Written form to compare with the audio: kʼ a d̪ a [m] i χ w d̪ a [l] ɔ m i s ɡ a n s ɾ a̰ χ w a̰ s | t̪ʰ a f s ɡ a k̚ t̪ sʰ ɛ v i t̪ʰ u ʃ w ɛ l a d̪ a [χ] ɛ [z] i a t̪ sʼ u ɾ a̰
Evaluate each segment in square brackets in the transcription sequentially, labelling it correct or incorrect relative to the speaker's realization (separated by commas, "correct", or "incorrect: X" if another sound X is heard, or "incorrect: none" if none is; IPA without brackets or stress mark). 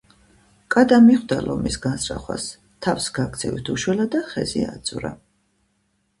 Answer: correct, correct, correct, correct